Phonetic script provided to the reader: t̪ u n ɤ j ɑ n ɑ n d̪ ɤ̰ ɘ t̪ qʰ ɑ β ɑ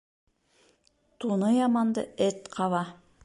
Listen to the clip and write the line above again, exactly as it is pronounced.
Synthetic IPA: t̪ u n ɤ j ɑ m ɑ n d̪ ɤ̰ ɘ t̪ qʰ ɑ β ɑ